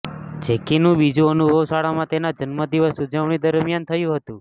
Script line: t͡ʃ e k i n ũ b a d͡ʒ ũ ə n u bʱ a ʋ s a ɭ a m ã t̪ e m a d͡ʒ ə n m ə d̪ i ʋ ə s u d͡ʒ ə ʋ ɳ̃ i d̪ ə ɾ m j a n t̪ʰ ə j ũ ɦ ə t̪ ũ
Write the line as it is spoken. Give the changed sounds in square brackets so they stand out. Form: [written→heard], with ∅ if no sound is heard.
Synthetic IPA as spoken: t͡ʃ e k i n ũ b [a→i] d͡ʒ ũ ə n u bʱ [a→ə] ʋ s a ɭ a m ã t̪ e [m→n] a d͡ʒ ə n m ə d̪ i ʋ ə s u d͡ʒ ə ʋ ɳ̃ i d̪ ə ɾ m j a n t̪ʰ ə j ũ ɦ ə t̪ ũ